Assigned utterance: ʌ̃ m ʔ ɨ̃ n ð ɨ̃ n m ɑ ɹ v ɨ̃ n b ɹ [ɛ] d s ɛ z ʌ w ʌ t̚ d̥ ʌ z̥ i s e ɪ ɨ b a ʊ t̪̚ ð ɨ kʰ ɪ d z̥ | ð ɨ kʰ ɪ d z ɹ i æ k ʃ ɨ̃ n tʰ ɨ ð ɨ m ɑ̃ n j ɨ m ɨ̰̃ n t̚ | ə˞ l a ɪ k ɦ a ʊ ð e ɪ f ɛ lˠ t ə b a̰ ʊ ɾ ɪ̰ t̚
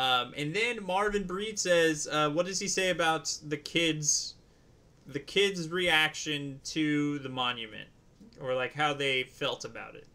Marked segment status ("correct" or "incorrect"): incorrect